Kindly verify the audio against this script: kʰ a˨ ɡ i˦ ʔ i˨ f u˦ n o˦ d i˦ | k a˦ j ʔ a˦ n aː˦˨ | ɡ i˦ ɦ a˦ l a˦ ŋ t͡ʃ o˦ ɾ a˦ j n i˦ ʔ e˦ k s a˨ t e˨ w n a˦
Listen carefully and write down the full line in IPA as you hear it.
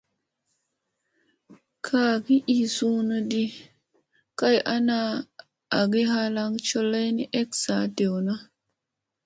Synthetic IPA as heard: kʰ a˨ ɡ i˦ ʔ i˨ s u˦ n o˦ d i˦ | k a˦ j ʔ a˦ n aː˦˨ | ɡ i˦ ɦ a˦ l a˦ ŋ t͡ʃ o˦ l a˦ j n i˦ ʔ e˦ k s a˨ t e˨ w n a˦

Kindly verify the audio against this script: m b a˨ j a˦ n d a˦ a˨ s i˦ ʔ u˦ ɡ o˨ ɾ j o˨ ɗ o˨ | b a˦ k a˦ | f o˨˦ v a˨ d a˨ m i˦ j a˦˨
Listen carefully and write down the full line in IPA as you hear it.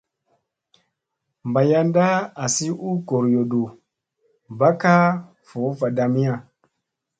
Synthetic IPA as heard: m b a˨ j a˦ n d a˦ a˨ s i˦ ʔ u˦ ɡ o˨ ɾ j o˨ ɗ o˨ | b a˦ k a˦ | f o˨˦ v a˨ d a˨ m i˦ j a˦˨

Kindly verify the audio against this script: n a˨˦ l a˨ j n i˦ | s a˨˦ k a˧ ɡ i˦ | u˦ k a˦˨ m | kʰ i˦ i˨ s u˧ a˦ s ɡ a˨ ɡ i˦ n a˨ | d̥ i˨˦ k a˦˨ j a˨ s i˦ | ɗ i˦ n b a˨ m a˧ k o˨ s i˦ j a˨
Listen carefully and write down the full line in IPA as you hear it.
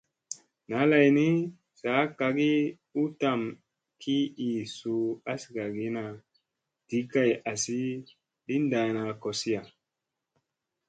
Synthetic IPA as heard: n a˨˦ l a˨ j n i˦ | s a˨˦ k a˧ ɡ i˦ | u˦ t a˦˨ m | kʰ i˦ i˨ s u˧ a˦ s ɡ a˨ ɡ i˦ n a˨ | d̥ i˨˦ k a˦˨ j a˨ s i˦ | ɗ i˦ n d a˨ n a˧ k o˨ s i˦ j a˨

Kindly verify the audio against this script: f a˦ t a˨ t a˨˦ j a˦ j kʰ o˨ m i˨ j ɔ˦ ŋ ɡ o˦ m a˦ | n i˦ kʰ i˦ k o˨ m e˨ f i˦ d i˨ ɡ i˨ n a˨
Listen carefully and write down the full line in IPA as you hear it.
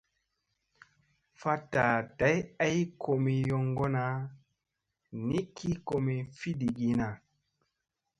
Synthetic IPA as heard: f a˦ t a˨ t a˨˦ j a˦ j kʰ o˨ m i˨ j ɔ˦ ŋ ɡ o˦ n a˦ | n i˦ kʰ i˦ k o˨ m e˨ f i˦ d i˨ ɡ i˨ n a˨

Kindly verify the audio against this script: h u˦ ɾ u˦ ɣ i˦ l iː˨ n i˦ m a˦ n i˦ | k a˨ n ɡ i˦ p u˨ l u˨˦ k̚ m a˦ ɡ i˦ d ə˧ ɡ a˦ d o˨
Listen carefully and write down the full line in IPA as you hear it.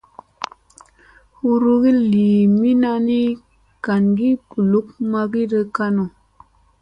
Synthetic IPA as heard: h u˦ ɾ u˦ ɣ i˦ l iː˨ m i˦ n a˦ n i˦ | k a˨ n ɡ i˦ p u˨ l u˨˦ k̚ m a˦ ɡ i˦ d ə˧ k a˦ n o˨

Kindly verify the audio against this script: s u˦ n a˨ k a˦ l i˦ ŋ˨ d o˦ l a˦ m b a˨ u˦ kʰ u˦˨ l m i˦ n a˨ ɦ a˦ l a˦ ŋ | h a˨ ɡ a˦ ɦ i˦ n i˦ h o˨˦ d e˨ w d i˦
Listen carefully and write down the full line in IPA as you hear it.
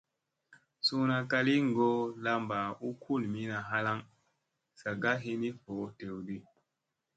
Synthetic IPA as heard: s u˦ n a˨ k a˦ l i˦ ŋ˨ ɡ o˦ l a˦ m b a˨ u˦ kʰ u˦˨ l m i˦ n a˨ ɦ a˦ l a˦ ŋ | s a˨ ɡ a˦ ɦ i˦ n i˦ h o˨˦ t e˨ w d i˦

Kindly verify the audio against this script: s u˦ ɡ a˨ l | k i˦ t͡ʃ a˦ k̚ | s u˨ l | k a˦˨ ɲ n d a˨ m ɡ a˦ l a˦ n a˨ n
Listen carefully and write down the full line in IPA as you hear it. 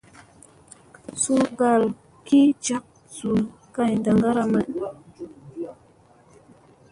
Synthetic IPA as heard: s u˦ ɡ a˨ l | k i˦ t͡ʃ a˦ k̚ | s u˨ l | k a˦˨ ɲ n d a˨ ŋ ɡ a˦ ɾ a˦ m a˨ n

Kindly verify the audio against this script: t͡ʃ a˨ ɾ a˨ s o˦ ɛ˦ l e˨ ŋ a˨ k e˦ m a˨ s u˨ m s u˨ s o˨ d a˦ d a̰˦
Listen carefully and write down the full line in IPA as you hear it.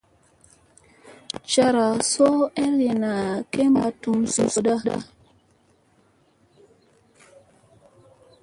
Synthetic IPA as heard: t͡ʃ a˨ ɾ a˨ s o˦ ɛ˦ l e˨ n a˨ k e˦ m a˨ t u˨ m s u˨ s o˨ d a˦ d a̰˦

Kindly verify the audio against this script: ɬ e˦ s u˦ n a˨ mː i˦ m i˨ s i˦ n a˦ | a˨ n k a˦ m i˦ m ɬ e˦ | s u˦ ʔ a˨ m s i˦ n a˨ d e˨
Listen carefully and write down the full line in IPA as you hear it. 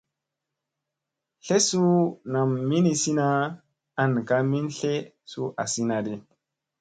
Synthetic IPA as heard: ɬ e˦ s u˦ n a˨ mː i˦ n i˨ s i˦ n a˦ | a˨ n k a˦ m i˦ n ɬ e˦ | s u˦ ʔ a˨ s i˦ n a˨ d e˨

